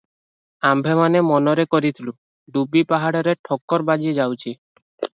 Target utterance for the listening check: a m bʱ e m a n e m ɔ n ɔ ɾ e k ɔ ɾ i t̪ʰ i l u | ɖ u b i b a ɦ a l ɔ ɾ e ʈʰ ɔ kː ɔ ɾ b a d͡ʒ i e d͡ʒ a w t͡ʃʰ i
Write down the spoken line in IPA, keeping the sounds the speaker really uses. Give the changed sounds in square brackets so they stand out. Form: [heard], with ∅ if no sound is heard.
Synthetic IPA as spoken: a m bʱ e m a n e m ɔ n ɔ ɾ e k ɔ ɾ i t̪ʰ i l u | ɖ u b i [p] a ɦ a [ɽ] ɔ ɾ e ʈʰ ɔ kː ɔ ɾ b a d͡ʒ i e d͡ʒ a w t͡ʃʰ i